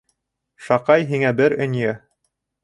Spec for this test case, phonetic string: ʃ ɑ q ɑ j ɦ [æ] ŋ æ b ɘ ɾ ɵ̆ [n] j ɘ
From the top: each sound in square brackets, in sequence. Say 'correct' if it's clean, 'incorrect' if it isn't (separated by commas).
incorrect, correct